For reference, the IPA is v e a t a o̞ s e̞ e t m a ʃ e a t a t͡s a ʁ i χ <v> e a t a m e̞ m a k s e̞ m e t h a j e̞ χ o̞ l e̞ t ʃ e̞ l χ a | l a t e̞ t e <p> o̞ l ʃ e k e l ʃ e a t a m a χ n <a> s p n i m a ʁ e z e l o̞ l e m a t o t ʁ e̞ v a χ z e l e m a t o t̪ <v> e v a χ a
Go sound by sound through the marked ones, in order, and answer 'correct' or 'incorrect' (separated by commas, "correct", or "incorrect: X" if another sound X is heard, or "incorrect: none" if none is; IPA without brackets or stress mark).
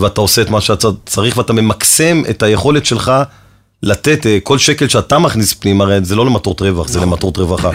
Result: correct, incorrect: k, incorrect: i, incorrect: ʁ